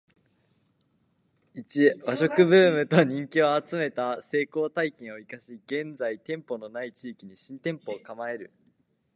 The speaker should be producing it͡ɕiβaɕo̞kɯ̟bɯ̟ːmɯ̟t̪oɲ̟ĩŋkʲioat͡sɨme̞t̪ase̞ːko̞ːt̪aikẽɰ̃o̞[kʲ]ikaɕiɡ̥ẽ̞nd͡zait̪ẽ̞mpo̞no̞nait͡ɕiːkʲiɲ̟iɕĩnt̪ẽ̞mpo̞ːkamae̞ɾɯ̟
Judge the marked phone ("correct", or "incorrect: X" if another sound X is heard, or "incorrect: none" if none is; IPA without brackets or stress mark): incorrect: none